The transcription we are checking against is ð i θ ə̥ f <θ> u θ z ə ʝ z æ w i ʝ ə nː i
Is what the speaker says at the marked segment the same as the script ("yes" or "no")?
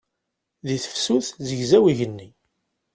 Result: no